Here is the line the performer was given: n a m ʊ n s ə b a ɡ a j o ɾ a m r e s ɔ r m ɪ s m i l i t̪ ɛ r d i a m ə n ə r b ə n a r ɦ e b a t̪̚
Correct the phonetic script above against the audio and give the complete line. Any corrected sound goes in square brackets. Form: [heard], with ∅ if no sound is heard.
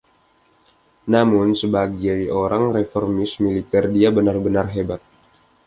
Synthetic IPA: n a m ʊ n s ə b a ɡ a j o ɾ a [ŋ] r e [f] ɔ r m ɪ s m i l i t̪ ɛ r d i a [b] ə n [a] r b ə n a r ɦ e b a t̪̚